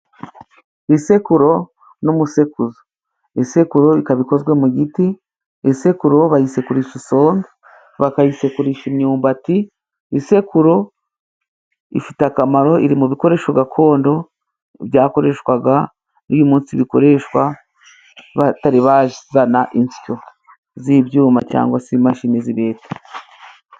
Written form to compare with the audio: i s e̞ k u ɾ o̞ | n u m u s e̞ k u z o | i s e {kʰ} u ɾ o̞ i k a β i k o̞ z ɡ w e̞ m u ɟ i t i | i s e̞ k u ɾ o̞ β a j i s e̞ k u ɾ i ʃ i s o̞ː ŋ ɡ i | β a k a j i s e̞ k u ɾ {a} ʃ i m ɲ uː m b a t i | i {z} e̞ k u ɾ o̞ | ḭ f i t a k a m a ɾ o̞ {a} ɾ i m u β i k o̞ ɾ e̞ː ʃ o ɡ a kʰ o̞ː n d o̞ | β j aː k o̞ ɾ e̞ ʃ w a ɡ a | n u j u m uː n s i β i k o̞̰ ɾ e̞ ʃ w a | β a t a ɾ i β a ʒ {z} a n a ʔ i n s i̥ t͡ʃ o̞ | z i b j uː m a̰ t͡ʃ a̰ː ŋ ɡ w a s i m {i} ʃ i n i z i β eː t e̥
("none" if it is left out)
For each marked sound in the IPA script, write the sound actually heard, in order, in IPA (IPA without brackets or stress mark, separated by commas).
k, i, s, i, z, a